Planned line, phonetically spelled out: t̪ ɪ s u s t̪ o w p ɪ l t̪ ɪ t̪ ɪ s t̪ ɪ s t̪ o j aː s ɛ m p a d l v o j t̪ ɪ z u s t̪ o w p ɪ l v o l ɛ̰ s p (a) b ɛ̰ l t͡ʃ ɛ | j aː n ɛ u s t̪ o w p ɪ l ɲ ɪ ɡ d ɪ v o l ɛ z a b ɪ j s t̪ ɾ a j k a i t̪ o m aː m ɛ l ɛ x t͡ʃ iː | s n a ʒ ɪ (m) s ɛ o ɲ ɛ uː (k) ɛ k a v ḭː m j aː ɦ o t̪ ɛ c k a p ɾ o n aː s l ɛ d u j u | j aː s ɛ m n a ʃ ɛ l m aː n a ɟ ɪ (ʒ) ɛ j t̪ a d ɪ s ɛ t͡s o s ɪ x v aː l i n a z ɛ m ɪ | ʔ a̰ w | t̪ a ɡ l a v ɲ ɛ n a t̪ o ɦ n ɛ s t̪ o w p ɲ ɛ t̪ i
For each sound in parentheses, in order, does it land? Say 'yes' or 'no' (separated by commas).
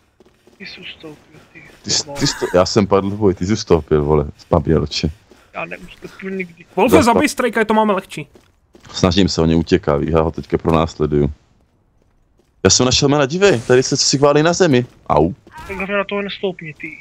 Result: yes, yes, no, no